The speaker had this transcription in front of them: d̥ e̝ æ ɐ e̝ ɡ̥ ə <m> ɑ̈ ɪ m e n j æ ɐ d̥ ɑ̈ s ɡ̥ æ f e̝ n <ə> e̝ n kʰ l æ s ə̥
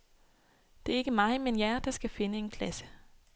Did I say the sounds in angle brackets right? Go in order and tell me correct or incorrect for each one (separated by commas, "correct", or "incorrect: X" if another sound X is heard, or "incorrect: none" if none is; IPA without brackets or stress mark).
correct, correct